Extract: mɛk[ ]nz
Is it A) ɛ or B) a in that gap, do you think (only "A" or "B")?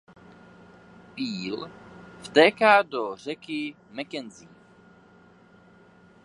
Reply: A